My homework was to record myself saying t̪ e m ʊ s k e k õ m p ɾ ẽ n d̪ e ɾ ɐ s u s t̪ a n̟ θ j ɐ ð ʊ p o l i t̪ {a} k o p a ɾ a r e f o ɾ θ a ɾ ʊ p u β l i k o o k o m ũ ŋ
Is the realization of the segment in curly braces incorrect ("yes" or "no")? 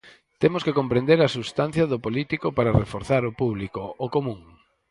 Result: yes